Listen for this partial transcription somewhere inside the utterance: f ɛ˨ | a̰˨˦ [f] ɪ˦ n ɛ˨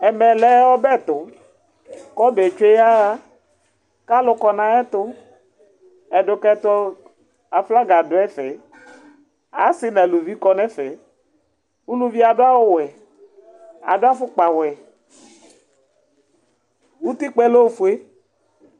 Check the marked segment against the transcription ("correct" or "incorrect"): incorrect